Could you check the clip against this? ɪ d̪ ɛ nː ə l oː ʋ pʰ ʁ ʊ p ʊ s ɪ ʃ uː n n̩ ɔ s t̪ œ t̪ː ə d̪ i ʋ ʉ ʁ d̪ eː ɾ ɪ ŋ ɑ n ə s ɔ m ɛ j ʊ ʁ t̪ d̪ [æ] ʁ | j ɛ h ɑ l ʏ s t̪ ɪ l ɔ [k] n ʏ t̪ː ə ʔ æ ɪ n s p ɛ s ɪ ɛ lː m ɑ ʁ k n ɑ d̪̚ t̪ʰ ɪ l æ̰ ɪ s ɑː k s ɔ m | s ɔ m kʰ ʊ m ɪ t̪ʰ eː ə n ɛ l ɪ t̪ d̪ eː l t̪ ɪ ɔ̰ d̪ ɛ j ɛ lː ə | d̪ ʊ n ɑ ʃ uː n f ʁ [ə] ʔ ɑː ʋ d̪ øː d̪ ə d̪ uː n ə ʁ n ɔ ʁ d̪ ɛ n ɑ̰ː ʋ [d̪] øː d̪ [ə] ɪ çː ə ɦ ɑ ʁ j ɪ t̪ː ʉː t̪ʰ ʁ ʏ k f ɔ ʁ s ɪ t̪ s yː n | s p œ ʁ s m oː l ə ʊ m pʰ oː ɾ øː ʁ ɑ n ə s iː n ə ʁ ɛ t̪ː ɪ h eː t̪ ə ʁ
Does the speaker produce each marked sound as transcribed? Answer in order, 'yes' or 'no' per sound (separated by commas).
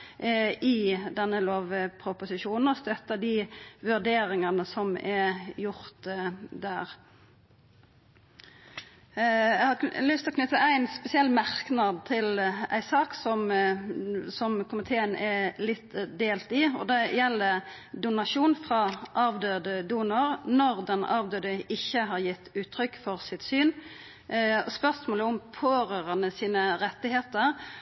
no, yes, no, yes, yes